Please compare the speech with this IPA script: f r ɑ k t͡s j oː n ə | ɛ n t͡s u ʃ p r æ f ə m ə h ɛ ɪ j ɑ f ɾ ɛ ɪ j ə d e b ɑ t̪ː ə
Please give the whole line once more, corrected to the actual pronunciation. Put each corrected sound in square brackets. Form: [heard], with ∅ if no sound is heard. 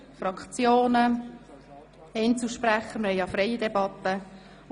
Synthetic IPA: f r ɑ k t͡s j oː n ə | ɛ n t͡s u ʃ p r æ [χ] ə m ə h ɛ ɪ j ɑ f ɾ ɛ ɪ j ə d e b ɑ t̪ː ə